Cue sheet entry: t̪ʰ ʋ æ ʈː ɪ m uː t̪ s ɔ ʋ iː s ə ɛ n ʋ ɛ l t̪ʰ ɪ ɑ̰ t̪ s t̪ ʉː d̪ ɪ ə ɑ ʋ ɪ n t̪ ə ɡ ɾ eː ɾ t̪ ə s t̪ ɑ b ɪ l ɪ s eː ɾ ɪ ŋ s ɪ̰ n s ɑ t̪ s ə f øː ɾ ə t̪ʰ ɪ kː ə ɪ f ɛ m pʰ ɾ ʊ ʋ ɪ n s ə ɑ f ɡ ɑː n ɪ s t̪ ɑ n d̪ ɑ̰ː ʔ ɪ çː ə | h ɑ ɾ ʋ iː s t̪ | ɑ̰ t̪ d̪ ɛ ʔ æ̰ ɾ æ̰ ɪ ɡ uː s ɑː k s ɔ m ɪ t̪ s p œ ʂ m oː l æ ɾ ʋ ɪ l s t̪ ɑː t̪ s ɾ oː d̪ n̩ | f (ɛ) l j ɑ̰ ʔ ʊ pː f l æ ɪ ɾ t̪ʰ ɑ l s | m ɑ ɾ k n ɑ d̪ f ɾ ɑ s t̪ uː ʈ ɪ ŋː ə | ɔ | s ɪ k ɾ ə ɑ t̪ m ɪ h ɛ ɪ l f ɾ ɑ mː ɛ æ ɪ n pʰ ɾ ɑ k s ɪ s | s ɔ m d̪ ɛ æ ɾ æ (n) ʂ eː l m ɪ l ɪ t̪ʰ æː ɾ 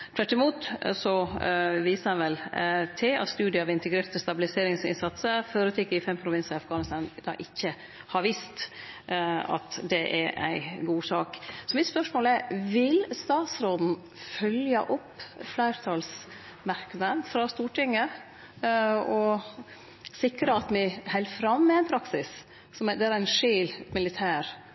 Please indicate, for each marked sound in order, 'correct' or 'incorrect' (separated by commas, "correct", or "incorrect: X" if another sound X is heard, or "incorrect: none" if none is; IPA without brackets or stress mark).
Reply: incorrect: œ, correct